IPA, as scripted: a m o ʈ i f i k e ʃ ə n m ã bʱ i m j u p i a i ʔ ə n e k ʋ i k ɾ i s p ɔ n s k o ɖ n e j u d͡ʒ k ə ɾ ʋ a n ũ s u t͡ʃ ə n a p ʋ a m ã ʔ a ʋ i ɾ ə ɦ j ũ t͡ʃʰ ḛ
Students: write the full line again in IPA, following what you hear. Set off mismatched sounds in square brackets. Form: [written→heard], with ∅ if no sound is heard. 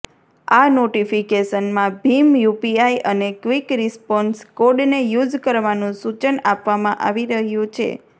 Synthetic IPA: a [m→n] o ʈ i f i k e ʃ ə n m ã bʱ i m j u p i a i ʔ ə n e k ʋ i k ɾ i s p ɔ n s k o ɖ n e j u d͡ʒ k ə ɾ ʋ a n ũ s u t͡ʃ ə n a p ʋ a m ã ʔ a ʋ i ɾ ə ɦ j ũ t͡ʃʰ ḛ